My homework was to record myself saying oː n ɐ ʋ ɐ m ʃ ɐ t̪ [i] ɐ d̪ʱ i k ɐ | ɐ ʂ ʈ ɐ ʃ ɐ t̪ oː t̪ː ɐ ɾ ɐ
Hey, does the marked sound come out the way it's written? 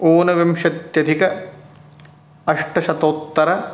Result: no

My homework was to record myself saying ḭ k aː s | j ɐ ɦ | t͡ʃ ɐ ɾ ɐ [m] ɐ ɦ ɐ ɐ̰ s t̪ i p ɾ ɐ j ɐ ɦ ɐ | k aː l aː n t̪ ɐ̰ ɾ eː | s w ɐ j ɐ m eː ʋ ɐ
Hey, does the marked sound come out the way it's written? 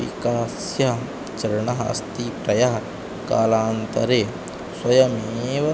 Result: no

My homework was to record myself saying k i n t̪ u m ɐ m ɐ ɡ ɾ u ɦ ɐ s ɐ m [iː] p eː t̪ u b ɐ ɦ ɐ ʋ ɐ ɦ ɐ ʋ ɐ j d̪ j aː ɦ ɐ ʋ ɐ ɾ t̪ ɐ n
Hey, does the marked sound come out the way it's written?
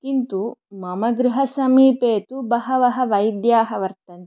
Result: yes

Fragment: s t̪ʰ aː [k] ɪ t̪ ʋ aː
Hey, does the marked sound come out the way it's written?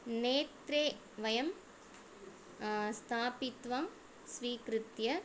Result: no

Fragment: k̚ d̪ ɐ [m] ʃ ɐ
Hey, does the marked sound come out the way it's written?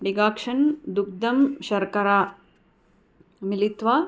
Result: yes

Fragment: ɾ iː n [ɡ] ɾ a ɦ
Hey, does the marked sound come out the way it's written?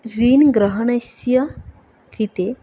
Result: yes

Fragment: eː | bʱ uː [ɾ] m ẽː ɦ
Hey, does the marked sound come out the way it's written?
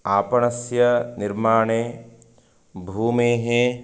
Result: no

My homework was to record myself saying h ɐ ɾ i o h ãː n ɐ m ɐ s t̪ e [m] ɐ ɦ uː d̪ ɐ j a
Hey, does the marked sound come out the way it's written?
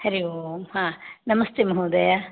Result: yes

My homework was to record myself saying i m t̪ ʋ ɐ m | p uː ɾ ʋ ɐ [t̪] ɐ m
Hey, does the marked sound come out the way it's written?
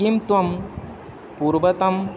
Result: yes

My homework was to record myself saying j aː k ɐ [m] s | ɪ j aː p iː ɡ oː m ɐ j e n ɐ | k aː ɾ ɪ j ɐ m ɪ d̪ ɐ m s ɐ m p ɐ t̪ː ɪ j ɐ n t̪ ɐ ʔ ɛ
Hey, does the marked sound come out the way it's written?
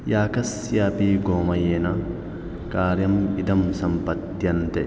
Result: no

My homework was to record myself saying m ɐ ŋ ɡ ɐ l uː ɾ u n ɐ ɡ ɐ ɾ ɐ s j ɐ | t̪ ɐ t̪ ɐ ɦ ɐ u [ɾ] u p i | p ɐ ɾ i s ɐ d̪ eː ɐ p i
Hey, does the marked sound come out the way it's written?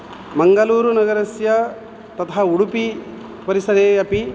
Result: no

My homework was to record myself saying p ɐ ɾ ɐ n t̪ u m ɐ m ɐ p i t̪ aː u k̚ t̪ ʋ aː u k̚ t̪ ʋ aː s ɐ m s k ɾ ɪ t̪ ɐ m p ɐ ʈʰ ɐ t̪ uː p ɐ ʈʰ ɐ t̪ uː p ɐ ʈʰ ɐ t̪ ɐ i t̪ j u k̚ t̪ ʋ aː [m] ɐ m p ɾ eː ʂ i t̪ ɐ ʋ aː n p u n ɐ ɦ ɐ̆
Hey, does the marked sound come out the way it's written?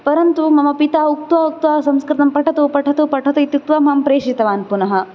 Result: yes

